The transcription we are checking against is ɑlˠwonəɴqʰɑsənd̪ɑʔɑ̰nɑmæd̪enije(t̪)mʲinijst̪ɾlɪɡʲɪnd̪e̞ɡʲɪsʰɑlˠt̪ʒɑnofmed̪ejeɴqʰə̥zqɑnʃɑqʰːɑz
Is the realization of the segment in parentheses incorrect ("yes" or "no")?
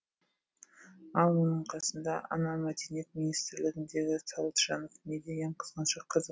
no